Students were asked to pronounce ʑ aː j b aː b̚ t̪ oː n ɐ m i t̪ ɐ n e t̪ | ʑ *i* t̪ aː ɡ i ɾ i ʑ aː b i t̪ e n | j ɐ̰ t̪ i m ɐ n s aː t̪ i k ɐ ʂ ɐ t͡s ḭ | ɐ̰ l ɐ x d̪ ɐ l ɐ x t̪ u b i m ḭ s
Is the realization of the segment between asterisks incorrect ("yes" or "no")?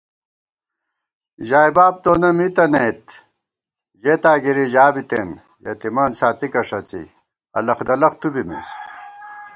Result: yes